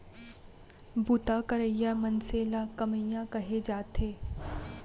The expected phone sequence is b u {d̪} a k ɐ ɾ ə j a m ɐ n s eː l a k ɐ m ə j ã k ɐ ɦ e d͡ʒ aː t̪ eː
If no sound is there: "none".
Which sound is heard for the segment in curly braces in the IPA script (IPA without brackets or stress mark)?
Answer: t̪